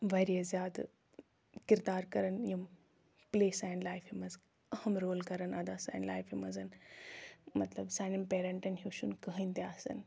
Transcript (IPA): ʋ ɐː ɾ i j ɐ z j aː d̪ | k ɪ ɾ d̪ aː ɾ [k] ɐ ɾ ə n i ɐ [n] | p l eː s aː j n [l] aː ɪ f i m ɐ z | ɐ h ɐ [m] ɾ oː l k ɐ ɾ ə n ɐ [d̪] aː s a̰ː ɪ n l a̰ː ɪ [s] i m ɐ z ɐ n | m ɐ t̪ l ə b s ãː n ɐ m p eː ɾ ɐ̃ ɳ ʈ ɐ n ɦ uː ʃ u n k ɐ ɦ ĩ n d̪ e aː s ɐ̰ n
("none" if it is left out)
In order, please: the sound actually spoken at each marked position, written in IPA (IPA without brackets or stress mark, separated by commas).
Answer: k, m, l, m, d̪, f